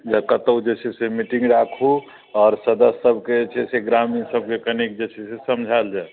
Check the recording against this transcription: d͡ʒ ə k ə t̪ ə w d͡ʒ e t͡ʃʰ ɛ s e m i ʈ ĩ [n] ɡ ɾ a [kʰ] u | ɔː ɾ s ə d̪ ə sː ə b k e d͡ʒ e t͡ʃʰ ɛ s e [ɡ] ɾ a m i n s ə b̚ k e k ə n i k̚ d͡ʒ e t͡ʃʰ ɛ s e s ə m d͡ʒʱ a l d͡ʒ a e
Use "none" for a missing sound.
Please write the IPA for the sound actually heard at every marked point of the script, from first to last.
ŋ, kʰ, ɡ

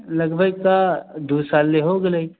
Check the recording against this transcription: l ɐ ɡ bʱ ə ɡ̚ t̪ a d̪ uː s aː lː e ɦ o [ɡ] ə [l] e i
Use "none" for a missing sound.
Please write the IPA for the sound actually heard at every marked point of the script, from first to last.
ɡ, l

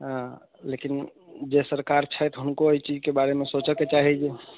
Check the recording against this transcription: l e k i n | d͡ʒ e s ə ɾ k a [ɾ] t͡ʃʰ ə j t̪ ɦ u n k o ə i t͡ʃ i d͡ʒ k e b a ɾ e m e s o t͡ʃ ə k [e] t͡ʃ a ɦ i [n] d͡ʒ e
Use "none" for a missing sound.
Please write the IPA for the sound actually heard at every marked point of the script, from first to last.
ɾ, e, none

